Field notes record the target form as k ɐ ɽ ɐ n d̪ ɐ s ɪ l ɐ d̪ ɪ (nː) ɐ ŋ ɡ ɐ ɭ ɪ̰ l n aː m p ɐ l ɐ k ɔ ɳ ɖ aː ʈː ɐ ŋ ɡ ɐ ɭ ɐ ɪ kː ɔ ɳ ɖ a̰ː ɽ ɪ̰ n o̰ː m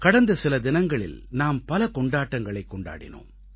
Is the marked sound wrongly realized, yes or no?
yes